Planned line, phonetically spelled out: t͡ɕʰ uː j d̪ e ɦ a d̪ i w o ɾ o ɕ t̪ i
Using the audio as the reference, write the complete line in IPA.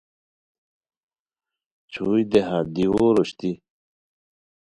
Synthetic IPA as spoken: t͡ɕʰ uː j d̪ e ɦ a d̪ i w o ɾ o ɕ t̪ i